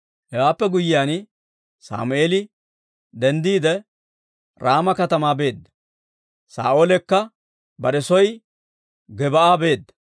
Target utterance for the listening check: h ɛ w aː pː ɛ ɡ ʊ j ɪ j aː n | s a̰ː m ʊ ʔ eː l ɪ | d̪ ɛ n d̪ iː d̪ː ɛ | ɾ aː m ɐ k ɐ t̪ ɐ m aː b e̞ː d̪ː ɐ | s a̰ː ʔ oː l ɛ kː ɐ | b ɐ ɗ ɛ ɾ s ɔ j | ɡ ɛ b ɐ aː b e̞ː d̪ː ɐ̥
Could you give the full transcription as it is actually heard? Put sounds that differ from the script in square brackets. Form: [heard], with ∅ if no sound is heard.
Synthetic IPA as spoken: h ɛ w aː pː ɛ ɡ ʊ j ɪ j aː n | s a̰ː m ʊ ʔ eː l ɪ | d̪ ɛ n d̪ iː [d̪] ɛ | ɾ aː m ɐ k ɐ t̪ ɐ m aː b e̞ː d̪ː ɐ | s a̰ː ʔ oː l ɛ kː ɐ | b ɐ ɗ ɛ [∅] s ɔ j | ɡ ɛ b ɐ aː b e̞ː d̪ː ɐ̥